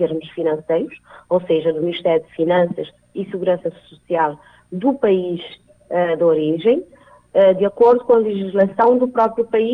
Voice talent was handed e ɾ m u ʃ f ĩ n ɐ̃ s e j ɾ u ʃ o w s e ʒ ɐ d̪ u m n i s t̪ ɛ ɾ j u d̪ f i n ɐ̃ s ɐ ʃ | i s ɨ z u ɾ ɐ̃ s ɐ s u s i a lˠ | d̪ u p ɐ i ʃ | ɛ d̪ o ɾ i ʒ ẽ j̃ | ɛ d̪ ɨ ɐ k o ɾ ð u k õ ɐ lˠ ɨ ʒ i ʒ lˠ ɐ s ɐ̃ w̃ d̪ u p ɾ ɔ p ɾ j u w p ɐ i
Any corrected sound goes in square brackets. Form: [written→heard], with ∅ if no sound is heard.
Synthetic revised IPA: e ɾ m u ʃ f [ĩ→i] n ɐ̃ s e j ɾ u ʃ o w s e ʒ ɐ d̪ u m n i [s→ʃ] t̪ ɛ ɾ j u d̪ f i n ɐ̃ s ɐ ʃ | i s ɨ [z→ɣ] u ɾ ɐ̃ s ɐ s u s i a lˠ | d̪ u p ɐ i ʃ | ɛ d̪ o ɾ i ʒ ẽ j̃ | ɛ d̪ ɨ ɐ k o ɾ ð u k õ ɐ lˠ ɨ ʒ i ʒ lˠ ɐ s ɐ̃ w̃ d̪ u p ɾ ɔ p ɾ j u [w→∅] p ɐ i